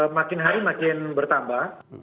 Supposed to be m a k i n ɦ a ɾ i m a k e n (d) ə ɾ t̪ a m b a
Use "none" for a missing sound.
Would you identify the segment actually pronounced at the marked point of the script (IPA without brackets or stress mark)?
b